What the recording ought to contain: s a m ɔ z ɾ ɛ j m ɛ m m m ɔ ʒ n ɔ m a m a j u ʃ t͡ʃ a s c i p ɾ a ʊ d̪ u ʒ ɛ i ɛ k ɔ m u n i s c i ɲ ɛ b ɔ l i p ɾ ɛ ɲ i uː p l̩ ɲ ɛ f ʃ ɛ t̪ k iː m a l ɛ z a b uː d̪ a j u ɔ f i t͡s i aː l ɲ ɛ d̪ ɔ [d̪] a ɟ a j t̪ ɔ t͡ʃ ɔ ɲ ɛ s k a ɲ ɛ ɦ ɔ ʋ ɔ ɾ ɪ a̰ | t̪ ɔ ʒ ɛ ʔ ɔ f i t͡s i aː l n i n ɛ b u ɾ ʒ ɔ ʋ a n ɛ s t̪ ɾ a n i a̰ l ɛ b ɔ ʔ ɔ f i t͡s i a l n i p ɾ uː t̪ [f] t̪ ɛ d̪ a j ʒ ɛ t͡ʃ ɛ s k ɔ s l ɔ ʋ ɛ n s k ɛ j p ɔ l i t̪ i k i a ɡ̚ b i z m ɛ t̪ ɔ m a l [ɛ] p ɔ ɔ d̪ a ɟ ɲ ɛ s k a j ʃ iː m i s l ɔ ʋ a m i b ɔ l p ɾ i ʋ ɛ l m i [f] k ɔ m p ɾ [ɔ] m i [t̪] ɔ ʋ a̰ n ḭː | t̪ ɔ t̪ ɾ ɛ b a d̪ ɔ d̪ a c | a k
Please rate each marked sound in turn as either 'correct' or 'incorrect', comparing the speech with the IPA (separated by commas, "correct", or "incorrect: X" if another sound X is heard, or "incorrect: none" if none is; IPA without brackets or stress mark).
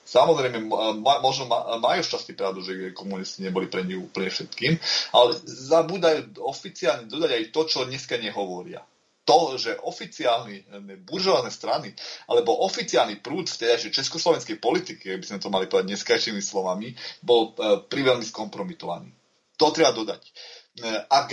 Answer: correct, correct, incorrect: i, incorrect: s, correct, correct